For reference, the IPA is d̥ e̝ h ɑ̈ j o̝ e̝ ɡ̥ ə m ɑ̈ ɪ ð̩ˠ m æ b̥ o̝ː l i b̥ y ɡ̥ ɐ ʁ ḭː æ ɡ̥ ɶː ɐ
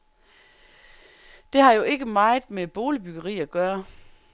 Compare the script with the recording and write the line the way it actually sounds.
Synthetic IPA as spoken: d̥ e̝ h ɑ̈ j o̝ e̝ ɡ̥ ə m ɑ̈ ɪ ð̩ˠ m e b̥ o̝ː l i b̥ y ɡ̥ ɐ ʁ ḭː æ ɡ̥ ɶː ɐ